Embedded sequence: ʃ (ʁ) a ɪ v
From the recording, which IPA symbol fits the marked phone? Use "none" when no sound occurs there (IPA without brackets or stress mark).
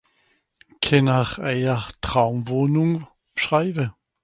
ʁ